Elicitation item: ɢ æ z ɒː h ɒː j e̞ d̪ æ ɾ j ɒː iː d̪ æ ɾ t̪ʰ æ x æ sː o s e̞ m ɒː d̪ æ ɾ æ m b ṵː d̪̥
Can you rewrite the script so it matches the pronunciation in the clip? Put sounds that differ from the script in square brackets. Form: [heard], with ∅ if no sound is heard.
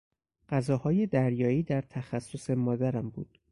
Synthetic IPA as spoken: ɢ æ z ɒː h ɒː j e̞ d̪ æ ɾ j ɒː iː d̪ æ ɾ t̪ʰ æ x æ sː o s e̞ m ɒː d̪ æ ɾ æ m b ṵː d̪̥